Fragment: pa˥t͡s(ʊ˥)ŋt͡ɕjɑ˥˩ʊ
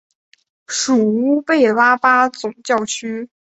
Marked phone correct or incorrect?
incorrect